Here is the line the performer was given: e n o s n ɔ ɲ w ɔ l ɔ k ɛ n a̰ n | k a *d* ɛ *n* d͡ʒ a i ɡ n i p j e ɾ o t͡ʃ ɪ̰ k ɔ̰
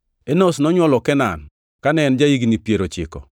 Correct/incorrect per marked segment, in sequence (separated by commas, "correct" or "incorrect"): incorrect, correct